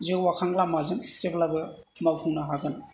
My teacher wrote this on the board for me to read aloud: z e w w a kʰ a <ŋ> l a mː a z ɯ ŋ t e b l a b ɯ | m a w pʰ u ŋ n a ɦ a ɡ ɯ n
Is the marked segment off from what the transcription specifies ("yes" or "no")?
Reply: no